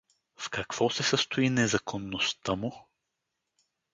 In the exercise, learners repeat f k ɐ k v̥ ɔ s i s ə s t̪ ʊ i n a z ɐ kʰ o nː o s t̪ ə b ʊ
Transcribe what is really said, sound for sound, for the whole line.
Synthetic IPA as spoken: f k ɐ k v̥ ɔ s ɛ s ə s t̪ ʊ i n ɛ z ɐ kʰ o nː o s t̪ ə m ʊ